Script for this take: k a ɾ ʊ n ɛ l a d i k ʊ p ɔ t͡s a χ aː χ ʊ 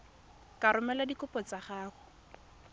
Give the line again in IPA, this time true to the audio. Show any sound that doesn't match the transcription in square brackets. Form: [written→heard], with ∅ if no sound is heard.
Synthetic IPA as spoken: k a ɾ ʊ [n→m] ɛ l a d i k ʊ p ɔ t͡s a χ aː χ ʊ

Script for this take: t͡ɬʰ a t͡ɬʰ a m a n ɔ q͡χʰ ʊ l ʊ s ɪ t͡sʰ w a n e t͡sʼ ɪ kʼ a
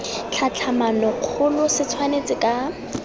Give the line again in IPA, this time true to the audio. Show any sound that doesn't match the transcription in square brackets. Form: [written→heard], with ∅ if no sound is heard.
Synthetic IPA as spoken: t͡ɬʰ a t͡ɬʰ a m a n ɔ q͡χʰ ʊ l ʊ s ɪ t͡sʰ w a n e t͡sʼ ɪ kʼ a

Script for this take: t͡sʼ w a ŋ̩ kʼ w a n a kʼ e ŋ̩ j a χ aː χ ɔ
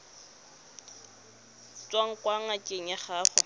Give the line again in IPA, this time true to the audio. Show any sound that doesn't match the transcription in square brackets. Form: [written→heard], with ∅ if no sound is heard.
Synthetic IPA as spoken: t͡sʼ w a ŋ̩ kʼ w a [n→ŋ] a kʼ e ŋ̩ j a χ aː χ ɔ

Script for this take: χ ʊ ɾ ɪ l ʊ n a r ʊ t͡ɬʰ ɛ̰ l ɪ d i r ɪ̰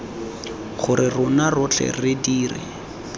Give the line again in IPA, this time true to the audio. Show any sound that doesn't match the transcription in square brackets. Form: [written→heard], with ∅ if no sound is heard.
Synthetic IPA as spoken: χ ʊ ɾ ɪ [l→r] ʊ n a r ʊ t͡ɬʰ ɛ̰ [l→r] ɪ d [i→iː] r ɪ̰

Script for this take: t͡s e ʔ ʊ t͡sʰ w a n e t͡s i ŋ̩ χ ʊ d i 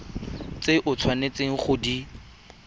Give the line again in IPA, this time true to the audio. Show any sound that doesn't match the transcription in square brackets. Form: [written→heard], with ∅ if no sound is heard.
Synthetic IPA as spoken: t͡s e ʔ ʊ t͡sʰ w a n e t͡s [i→e] ŋ̩ χ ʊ d i

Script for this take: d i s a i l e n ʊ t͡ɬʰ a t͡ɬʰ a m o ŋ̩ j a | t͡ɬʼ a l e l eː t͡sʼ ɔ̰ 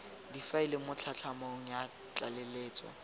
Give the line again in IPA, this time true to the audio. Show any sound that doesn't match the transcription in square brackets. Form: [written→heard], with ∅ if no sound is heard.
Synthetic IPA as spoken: d i [s→f] a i l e [n→m] ʊ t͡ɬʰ a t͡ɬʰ a m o ŋ̩ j a | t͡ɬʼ a l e l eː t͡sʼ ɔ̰

